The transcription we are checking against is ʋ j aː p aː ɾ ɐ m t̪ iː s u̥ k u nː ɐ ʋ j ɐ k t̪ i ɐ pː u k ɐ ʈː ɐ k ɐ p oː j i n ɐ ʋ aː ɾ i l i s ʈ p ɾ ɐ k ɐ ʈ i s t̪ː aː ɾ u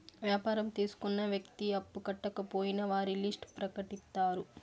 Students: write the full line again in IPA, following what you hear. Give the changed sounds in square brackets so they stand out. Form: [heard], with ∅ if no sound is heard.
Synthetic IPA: ʋ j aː p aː ɾ ɐ m t̪ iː s u̥ k u nː ɐ ʋ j ɐ k t̪ i ɐ pː u k ɐ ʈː ɐ k ɐ p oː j i n ɐ ʋ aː ɾ i l i s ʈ p ɾ ɐ k ɐ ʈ i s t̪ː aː ɾ u